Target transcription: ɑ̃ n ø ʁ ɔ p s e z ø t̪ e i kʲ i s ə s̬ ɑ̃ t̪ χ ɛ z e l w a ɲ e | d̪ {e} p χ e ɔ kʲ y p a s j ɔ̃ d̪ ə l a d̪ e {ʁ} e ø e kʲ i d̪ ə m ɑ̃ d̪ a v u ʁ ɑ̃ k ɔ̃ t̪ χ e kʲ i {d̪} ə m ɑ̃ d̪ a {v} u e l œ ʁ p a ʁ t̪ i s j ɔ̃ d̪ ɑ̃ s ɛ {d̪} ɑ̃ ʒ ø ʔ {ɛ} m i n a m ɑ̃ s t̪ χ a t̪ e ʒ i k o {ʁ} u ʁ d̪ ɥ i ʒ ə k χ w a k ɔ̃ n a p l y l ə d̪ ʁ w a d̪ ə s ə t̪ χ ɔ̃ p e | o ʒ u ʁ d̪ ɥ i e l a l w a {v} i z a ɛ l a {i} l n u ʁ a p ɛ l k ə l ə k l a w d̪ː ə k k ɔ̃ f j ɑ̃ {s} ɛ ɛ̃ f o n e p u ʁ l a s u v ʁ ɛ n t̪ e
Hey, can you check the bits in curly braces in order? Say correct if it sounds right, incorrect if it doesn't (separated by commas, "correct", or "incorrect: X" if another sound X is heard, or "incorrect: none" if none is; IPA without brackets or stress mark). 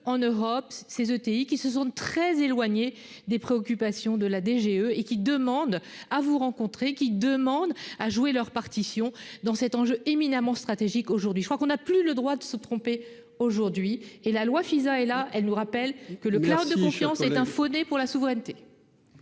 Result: correct, incorrect: ʒ, correct, incorrect: ʒ, incorrect: t̪, incorrect: e, incorrect: ʒ, incorrect: f, incorrect: ɛ, correct